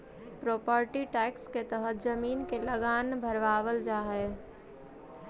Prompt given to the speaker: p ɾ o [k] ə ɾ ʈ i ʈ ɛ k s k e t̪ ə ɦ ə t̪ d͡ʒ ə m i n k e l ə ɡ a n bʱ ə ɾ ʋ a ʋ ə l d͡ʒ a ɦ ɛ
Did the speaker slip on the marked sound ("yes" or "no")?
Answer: yes